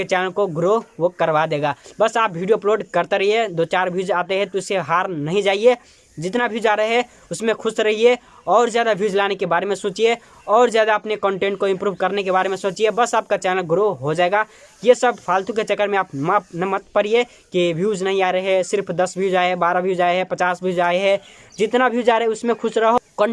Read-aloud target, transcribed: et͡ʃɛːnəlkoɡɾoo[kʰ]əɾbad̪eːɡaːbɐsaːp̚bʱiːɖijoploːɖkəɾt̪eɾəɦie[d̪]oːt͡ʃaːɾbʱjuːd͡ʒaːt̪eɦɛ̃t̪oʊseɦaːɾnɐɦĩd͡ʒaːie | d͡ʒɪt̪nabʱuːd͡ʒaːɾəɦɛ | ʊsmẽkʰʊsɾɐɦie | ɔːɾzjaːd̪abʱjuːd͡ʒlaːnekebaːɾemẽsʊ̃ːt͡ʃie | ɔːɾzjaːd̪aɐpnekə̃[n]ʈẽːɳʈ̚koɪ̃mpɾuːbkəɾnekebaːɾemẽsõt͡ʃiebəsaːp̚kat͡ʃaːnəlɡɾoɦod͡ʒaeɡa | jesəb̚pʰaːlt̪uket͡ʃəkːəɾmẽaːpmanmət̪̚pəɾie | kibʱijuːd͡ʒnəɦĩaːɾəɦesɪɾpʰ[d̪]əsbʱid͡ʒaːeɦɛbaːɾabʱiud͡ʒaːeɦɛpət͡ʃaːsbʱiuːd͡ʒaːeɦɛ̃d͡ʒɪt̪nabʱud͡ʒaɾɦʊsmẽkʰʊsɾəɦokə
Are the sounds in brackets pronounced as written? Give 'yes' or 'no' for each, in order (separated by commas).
no, yes, no, yes